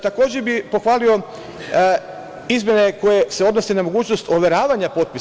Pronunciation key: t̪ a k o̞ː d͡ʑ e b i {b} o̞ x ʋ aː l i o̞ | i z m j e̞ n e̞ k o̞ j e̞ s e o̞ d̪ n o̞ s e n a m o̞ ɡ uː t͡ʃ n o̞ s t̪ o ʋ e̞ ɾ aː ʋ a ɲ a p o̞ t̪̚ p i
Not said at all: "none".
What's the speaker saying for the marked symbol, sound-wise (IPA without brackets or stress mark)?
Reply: p